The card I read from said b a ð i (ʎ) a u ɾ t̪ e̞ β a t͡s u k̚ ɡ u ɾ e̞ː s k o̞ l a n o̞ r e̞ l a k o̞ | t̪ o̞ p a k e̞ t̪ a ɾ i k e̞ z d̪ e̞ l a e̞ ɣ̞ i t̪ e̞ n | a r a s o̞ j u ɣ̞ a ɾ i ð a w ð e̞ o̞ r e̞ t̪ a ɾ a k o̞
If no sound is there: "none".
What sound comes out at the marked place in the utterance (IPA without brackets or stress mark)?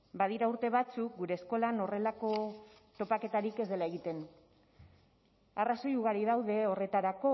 ɾ